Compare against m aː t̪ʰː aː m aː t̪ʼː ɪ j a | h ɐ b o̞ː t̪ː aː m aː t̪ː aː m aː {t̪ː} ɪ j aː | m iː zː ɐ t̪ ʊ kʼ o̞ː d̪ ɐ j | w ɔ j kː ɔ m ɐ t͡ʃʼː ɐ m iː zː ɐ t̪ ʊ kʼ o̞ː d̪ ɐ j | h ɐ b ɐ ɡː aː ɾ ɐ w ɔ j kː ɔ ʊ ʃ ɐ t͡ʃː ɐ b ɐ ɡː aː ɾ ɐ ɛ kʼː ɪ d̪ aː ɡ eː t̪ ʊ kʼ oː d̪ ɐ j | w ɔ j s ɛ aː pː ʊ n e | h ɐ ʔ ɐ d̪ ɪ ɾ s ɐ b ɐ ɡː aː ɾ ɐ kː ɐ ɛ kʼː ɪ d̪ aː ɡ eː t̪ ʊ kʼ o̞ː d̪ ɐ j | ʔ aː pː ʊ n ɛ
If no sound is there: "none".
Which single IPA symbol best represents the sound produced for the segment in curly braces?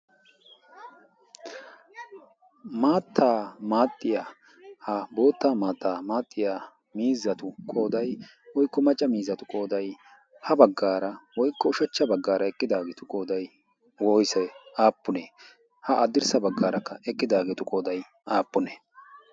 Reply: t̪ʼː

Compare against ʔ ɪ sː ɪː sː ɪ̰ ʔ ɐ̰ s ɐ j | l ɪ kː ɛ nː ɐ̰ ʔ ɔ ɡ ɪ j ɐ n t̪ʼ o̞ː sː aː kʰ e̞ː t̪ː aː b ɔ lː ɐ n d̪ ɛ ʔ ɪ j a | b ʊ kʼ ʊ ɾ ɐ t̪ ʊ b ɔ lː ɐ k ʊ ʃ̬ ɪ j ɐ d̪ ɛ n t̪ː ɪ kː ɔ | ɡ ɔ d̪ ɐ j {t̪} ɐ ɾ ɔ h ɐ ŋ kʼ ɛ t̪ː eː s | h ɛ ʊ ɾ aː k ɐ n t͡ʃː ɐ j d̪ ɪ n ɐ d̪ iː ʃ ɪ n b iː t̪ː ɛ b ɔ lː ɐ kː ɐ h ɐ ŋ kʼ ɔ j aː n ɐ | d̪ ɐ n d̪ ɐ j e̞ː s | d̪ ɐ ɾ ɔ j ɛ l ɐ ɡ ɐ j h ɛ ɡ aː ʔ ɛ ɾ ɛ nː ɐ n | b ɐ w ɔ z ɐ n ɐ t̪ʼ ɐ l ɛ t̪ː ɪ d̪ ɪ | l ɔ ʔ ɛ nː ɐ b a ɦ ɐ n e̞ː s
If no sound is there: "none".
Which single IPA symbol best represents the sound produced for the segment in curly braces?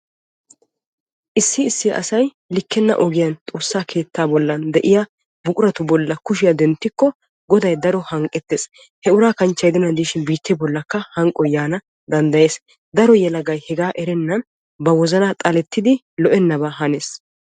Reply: d̪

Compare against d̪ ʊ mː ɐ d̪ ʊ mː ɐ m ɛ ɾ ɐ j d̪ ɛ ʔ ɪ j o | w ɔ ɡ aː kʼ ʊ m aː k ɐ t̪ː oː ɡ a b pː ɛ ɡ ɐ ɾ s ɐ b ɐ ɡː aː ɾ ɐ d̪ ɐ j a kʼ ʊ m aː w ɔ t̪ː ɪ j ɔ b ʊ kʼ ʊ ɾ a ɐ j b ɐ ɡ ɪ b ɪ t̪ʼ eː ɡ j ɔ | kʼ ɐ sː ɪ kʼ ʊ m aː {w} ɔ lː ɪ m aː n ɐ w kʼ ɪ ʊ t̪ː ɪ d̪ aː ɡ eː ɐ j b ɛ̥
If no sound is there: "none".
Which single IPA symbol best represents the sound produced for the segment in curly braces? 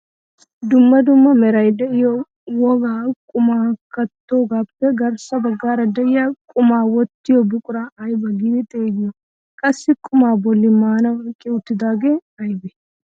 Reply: b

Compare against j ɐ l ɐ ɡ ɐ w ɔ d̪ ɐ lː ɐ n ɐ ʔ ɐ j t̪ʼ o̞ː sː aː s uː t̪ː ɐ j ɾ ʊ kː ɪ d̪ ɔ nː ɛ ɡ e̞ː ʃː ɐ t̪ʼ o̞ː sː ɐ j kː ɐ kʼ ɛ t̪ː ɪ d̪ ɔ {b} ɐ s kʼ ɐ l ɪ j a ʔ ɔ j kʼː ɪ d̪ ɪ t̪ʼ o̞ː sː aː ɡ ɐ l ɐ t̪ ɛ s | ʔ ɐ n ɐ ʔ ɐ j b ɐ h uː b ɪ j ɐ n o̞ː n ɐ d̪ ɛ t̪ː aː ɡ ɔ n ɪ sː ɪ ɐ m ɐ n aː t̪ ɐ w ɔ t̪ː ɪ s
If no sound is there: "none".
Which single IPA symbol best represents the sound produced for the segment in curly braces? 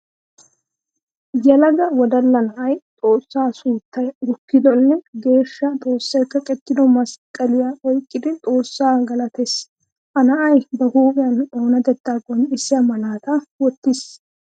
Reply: m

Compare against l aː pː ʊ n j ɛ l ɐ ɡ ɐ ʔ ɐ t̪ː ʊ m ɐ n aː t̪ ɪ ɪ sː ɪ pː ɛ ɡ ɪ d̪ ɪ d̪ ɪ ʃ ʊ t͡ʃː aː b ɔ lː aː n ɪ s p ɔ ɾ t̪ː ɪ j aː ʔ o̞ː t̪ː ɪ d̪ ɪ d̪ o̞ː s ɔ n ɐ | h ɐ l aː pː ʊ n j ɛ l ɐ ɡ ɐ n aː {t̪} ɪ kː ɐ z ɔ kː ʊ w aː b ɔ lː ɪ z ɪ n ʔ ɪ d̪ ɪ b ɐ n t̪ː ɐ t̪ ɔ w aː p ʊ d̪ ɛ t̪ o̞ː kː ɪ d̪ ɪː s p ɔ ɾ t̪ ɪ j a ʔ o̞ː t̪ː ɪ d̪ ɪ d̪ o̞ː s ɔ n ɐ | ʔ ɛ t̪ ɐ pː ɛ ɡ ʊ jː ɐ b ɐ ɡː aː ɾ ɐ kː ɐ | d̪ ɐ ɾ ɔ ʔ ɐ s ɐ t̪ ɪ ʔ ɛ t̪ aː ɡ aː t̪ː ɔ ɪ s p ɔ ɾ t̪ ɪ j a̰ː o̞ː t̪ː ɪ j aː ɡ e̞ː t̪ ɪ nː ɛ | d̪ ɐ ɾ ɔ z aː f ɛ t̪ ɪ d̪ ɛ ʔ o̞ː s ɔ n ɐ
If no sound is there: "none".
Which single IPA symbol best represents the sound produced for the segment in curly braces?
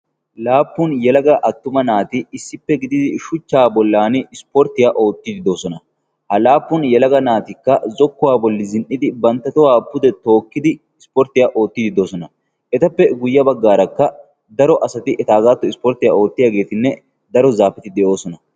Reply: t̪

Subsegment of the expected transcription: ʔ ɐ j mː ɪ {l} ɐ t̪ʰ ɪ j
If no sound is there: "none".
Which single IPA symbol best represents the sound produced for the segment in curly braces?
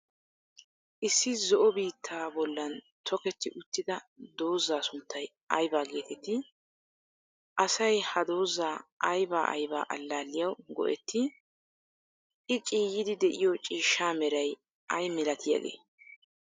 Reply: l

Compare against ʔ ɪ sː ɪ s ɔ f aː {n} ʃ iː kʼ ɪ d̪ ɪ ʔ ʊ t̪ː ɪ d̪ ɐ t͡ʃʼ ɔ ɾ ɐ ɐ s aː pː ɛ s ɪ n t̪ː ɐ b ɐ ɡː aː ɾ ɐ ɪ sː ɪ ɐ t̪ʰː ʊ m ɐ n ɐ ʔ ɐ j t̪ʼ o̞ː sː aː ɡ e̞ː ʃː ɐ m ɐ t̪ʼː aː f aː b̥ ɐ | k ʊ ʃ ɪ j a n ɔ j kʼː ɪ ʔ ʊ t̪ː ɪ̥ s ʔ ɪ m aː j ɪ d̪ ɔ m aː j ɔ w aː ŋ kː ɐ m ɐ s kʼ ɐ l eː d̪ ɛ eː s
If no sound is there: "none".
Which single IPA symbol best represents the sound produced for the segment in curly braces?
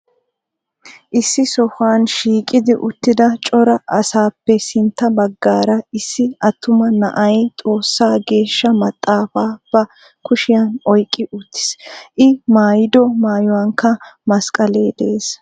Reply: n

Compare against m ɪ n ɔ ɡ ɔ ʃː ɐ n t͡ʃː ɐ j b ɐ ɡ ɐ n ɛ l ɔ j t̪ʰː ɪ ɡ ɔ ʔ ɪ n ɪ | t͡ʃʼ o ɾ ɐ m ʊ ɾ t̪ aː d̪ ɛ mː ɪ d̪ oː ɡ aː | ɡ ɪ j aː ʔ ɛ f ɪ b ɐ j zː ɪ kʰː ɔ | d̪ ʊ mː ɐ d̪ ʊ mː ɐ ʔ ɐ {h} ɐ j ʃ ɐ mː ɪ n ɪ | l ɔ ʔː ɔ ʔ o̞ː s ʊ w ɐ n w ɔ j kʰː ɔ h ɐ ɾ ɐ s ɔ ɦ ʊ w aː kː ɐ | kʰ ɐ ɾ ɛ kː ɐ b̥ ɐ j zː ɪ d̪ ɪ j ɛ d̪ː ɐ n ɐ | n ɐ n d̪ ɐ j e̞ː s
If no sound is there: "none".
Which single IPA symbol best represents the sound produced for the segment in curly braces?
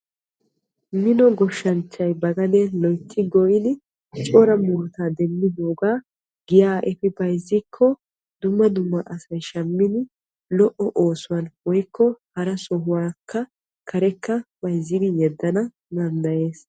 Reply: s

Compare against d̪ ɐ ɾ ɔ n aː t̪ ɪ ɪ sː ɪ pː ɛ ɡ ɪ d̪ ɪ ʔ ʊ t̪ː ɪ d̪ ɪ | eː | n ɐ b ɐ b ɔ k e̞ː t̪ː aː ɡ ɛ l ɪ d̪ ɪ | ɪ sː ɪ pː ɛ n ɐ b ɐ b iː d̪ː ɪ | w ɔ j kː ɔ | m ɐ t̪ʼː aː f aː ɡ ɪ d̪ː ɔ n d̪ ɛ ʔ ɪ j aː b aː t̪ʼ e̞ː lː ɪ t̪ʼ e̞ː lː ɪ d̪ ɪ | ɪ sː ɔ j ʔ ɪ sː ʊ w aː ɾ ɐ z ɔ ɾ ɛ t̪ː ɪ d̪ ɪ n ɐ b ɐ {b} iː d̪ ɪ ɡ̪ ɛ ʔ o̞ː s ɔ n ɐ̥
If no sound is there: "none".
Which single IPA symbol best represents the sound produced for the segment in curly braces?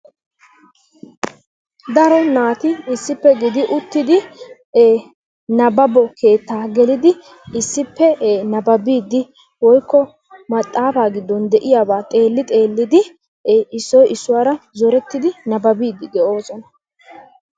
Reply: b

